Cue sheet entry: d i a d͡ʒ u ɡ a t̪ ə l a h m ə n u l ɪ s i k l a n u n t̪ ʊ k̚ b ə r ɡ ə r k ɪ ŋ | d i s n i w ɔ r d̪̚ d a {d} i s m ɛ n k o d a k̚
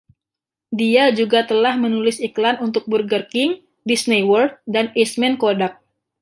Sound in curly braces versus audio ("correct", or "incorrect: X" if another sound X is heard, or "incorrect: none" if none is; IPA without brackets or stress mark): incorrect: n